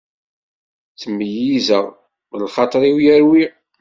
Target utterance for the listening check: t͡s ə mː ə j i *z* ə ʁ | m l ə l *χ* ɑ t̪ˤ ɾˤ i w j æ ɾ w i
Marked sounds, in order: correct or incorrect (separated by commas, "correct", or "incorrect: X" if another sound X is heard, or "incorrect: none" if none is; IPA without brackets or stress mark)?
correct, correct